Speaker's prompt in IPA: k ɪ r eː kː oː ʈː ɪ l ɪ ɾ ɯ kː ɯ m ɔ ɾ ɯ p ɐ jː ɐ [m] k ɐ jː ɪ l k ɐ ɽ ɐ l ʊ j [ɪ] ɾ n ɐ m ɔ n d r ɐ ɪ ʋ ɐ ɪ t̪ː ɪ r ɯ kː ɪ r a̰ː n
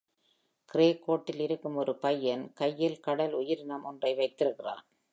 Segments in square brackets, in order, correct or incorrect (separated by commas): incorrect, correct